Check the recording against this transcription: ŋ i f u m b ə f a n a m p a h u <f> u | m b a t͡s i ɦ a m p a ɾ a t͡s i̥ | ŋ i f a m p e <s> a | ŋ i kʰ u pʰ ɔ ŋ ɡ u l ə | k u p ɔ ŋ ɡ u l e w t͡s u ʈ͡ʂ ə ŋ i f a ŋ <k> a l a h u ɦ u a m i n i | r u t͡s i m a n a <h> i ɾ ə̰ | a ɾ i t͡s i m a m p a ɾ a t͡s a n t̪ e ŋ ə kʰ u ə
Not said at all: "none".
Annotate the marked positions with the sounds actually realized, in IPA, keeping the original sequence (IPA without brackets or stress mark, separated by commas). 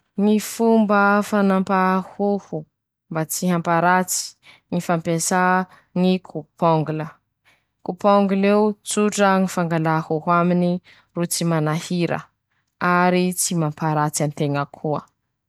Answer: h, s, ɡ, h